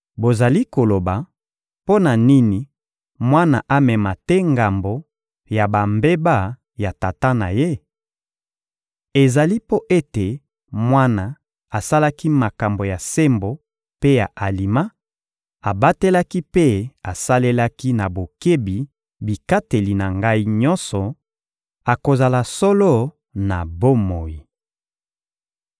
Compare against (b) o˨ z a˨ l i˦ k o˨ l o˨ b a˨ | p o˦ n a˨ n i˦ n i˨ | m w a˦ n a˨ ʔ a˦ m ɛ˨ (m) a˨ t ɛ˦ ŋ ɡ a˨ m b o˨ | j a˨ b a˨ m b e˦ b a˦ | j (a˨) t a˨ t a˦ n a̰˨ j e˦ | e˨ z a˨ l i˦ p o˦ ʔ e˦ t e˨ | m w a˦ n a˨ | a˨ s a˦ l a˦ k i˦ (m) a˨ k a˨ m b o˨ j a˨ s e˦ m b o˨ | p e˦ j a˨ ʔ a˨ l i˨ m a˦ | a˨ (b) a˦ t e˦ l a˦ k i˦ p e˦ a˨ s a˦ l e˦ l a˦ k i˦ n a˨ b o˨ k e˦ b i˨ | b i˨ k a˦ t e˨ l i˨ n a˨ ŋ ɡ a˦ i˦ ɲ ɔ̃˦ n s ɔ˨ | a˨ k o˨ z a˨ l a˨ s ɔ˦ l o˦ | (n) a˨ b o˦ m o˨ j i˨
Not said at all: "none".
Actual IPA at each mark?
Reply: b, m, a˨, m, b, n

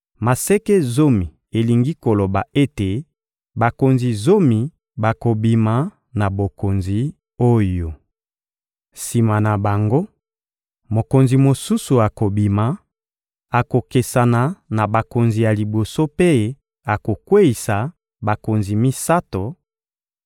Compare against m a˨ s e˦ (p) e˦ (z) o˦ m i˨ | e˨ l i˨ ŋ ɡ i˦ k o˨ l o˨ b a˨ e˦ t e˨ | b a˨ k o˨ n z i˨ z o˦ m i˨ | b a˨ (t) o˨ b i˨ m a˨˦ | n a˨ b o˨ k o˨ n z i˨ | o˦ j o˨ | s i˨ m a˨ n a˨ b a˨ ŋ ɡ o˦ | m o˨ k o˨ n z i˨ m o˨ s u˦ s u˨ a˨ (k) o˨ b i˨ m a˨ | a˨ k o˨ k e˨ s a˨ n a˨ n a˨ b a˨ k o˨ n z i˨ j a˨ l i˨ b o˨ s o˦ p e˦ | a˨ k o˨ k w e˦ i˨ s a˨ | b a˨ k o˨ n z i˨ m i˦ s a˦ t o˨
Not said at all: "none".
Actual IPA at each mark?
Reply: k, z, k, k

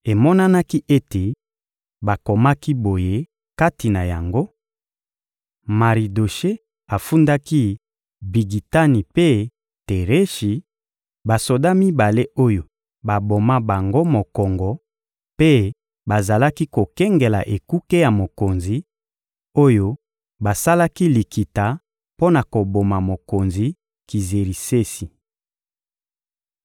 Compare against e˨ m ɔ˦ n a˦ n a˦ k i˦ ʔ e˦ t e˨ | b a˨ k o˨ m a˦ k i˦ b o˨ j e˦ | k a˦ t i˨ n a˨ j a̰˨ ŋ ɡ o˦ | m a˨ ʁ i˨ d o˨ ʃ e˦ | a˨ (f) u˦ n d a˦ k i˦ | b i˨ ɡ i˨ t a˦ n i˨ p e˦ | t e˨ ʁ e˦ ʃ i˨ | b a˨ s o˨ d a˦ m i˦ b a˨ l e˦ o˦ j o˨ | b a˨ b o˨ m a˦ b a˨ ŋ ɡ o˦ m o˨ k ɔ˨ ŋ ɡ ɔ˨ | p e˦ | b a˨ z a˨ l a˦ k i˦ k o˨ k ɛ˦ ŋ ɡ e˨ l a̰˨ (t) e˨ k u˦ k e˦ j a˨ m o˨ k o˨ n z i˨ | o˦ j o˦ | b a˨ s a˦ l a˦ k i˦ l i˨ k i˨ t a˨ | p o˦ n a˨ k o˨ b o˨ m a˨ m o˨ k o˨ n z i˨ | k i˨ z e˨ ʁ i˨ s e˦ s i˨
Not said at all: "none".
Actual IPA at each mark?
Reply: f, ʔ

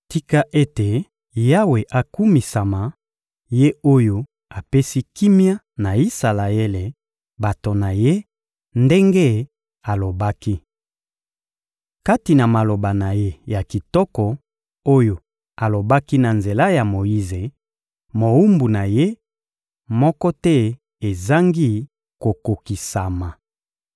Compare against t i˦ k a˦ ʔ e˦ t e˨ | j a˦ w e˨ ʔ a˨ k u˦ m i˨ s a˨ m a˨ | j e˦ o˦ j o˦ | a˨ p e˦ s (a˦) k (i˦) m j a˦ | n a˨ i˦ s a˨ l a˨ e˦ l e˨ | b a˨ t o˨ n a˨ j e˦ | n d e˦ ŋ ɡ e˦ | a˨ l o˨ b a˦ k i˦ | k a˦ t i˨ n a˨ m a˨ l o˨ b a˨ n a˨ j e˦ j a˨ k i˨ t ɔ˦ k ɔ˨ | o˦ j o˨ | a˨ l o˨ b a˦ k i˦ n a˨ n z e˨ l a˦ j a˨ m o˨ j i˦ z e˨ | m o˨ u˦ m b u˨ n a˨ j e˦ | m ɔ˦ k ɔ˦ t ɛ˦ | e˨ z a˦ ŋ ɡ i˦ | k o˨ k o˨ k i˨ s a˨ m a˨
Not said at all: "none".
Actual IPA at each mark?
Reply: i˦, i˦

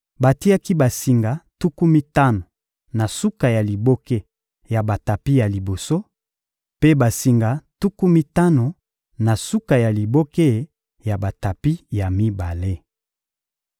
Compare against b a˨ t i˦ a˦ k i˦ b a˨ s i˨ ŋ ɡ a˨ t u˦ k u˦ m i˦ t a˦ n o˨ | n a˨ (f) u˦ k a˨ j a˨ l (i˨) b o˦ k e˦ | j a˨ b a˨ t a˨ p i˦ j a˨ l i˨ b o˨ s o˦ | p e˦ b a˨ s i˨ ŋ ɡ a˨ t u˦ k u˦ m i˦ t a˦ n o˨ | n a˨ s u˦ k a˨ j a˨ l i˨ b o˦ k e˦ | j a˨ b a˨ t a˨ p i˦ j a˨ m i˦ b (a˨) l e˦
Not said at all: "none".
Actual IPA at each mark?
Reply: s, i˨, a˨

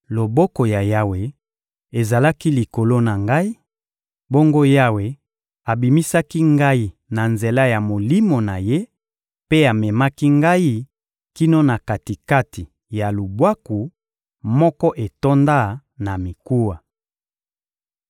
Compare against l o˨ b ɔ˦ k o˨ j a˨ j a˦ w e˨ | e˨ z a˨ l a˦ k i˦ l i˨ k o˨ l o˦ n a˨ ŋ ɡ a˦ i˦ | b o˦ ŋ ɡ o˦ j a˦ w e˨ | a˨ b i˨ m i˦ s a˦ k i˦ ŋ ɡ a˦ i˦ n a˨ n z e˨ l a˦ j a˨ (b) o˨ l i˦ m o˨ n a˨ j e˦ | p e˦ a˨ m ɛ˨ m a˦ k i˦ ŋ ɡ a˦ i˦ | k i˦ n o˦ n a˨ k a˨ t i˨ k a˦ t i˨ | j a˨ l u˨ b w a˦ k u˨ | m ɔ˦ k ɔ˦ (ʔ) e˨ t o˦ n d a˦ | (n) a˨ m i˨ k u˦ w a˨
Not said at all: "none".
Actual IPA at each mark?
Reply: m, ʔ, n

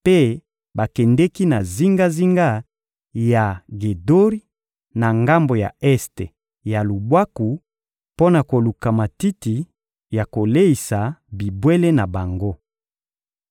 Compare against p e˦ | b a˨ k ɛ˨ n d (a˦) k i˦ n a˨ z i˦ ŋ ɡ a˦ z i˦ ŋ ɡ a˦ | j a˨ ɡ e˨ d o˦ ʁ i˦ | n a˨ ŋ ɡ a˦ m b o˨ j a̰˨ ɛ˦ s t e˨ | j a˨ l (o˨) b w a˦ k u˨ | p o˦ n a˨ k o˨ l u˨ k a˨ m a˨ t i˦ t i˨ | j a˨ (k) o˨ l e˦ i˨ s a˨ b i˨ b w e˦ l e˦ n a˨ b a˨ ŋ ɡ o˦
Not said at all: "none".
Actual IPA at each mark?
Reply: ɛ˦, u˨, k

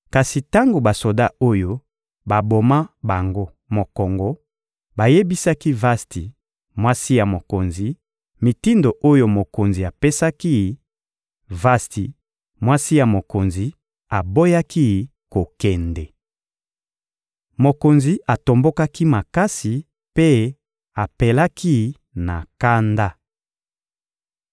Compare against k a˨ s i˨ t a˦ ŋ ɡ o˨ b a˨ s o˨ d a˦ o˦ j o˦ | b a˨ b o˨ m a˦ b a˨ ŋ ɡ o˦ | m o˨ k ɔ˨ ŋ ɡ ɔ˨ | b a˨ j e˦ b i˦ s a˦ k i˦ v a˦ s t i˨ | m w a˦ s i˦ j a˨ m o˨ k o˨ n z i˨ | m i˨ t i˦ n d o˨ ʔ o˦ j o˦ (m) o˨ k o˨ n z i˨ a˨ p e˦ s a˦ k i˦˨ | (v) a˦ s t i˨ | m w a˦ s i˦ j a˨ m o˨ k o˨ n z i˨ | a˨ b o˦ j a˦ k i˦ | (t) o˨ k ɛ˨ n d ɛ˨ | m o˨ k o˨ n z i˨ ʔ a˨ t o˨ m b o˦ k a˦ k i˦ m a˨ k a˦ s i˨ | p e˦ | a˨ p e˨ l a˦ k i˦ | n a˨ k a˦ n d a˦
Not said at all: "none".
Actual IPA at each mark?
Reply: m, v, k

